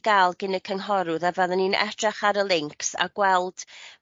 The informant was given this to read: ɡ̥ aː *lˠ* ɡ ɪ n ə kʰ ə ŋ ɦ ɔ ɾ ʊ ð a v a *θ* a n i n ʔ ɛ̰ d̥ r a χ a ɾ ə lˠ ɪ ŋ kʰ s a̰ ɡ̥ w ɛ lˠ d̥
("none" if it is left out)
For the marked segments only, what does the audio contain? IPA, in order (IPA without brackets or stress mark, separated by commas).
lˠ, ð